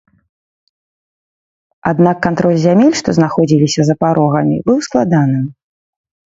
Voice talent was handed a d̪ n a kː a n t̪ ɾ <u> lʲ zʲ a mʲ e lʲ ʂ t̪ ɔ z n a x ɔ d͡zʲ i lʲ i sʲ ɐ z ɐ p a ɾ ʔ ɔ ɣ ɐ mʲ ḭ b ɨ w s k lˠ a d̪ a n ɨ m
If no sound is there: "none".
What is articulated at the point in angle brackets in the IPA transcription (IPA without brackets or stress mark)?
ɔ